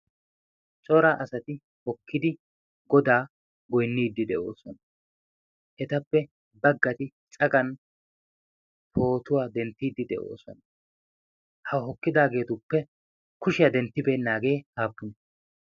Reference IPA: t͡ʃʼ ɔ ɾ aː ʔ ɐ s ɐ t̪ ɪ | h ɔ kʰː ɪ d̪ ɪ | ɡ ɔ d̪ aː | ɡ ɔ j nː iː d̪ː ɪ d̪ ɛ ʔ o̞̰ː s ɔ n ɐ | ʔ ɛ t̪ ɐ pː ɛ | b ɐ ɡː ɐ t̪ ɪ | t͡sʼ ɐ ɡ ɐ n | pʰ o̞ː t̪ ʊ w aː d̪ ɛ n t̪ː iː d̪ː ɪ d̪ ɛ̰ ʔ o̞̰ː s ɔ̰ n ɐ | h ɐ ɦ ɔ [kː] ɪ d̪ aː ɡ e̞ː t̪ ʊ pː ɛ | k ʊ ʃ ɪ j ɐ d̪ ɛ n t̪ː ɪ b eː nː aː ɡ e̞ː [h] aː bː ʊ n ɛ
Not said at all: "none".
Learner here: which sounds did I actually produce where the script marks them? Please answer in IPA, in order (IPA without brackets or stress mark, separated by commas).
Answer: kː, h